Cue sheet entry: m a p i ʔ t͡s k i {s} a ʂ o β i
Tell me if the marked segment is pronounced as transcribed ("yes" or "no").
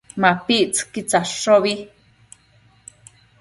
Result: no